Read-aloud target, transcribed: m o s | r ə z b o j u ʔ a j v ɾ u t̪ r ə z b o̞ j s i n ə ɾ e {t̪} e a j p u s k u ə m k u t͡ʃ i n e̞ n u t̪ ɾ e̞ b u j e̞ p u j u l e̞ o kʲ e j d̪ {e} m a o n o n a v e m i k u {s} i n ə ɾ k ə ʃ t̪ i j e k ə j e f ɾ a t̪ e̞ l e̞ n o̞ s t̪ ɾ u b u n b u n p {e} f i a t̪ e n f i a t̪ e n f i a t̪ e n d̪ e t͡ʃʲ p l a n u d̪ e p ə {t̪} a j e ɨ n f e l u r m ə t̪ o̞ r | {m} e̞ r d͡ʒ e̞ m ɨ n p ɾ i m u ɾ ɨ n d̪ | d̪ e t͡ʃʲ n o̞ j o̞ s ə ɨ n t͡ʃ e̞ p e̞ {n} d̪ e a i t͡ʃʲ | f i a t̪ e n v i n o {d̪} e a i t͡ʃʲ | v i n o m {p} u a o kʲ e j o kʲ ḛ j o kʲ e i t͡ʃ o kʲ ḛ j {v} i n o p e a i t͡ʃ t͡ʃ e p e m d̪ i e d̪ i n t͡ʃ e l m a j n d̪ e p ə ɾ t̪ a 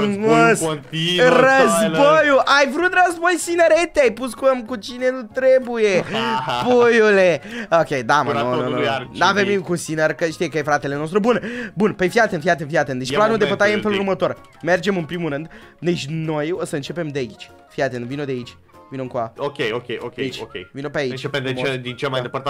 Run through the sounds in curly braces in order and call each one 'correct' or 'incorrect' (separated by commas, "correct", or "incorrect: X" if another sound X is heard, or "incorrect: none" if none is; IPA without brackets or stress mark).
correct, incorrect: a, correct, correct, correct, correct, incorrect: m, correct, incorrect: k, correct